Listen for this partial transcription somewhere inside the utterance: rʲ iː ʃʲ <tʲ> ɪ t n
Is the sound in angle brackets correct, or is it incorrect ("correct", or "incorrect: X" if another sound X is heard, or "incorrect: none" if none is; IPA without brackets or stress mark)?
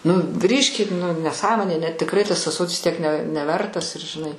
incorrect: kʲ